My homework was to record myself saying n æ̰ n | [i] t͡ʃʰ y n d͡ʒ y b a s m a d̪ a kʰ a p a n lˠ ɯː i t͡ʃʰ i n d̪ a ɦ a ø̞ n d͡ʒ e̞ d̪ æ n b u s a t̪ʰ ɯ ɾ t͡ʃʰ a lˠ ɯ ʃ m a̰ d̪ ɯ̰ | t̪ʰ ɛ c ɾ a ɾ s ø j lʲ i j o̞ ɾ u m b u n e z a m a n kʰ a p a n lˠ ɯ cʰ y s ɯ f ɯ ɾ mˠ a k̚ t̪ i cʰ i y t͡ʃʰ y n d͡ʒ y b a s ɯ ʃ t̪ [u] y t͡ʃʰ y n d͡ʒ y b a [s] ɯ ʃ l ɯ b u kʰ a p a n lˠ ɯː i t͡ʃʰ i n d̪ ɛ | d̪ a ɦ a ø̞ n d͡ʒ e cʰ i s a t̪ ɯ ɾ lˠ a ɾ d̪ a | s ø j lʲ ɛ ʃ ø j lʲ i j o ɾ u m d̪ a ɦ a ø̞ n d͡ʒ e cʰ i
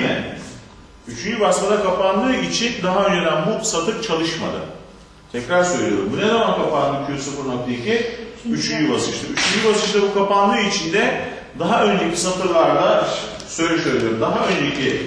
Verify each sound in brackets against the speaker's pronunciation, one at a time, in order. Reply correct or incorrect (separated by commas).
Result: incorrect, incorrect, correct